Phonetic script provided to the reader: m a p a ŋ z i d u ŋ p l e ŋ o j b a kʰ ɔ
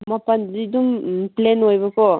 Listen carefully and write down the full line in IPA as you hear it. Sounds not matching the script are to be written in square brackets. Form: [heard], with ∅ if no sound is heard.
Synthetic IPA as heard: m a p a [n] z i d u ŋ p l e [n] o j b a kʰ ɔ